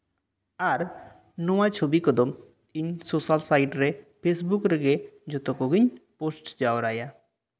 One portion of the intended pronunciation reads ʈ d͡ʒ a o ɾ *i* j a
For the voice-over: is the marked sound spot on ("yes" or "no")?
no